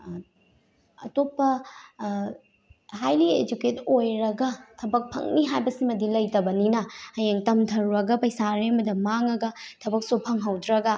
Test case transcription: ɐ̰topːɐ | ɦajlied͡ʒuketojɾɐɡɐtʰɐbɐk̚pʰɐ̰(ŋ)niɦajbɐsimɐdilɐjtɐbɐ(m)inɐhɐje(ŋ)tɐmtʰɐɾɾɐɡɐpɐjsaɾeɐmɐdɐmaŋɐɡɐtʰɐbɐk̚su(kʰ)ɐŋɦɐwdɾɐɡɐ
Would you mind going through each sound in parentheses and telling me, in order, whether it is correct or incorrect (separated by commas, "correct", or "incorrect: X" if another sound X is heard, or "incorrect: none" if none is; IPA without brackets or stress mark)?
correct, incorrect: n, correct, incorrect: pʰ